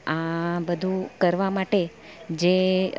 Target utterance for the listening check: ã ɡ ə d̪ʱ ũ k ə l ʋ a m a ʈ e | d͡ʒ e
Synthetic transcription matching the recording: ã b ə d̪ʱ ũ k ə ɾ ʋ a m a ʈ e | d͡ʒ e